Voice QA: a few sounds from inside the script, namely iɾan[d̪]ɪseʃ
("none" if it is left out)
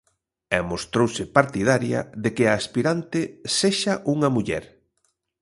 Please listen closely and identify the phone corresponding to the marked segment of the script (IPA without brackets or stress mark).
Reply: t̪